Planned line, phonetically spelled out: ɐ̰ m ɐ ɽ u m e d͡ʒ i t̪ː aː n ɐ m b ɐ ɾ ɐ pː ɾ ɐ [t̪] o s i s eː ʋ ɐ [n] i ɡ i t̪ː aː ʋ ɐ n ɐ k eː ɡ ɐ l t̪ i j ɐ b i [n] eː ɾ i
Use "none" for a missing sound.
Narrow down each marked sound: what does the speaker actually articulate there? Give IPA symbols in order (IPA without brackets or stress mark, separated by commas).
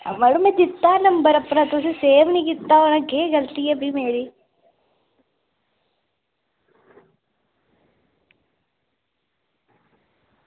t̪, n, m